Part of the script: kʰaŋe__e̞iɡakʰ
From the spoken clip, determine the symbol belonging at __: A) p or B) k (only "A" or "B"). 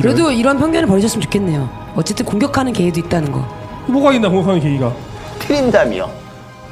B